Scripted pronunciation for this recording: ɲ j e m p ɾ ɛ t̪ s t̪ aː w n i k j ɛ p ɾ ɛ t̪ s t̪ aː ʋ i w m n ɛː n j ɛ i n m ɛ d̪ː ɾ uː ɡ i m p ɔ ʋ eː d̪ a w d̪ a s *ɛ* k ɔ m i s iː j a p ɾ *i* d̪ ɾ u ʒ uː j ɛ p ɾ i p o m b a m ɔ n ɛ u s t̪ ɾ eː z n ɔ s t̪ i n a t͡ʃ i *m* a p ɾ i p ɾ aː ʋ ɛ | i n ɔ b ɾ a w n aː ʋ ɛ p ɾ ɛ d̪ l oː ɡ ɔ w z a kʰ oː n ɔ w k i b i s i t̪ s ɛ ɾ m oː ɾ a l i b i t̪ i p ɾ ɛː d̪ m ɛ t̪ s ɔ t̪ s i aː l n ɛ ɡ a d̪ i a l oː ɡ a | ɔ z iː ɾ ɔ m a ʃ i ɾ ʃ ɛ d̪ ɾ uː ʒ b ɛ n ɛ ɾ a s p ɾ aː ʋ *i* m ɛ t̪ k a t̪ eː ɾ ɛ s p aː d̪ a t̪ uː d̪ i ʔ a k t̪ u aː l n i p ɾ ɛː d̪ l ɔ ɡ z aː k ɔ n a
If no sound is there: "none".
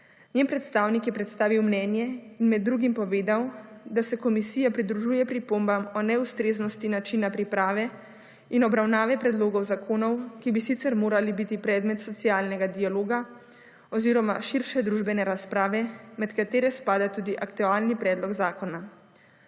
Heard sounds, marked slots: ɛ, i, n, ɛ

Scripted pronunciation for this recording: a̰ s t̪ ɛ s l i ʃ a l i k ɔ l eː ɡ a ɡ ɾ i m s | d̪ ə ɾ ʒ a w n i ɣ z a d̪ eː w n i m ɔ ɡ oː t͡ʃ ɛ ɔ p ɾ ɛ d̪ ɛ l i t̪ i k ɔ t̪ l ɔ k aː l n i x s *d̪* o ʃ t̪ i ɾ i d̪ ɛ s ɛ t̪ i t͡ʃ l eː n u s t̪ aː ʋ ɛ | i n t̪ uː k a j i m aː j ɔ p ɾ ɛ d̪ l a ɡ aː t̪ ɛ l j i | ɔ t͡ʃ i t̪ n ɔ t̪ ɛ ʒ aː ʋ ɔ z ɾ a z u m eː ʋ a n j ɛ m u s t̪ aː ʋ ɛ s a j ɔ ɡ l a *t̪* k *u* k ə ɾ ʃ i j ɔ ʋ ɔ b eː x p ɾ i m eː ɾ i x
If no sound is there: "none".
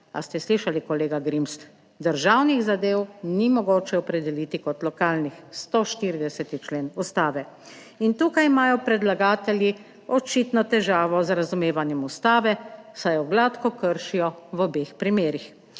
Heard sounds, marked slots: t̪, t̪, ɔ

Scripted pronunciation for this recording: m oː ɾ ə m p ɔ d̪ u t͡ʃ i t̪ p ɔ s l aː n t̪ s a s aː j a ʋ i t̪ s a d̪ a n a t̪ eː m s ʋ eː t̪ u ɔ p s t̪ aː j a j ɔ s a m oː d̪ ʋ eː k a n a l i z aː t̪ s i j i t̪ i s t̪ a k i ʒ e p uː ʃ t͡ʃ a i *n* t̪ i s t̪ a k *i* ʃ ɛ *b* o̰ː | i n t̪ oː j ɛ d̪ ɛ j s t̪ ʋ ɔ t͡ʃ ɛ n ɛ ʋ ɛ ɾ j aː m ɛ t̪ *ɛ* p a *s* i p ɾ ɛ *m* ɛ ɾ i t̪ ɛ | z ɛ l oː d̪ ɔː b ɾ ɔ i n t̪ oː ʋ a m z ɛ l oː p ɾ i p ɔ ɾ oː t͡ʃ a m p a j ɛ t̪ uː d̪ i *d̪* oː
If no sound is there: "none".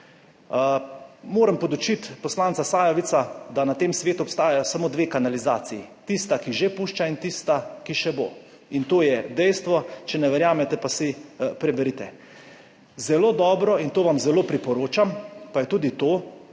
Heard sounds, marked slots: n, i, b, ɛ, s, b, t̪

